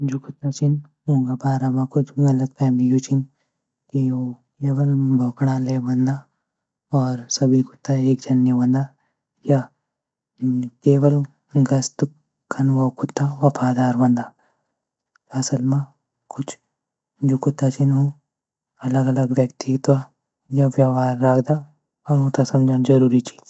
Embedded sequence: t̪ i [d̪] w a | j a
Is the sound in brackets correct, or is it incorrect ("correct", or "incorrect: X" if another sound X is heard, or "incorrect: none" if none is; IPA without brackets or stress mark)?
incorrect: t̪